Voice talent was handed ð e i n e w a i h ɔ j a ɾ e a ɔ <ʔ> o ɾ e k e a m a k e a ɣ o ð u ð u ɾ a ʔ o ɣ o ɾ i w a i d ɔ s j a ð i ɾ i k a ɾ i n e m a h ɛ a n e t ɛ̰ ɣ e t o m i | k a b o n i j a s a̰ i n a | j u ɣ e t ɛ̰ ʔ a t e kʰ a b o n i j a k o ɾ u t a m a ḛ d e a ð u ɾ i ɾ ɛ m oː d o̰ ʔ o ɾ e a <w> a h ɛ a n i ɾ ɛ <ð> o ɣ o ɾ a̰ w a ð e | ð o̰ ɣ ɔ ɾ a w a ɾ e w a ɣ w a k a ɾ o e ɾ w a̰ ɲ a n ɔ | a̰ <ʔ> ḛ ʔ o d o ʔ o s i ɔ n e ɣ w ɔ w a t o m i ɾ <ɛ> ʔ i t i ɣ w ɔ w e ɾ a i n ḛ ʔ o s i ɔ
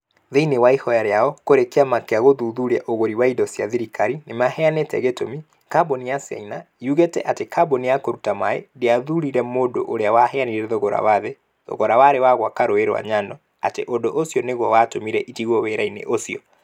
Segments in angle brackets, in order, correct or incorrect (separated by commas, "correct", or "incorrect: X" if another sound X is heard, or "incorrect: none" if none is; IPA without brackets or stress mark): incorrect: k, correct, correct, incorrect: t, correct